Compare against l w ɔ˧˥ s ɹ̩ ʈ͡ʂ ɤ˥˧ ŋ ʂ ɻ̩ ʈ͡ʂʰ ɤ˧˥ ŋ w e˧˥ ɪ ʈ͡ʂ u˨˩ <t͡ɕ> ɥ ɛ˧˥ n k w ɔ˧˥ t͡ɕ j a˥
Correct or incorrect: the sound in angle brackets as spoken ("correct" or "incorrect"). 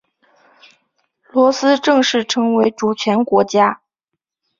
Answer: incorrect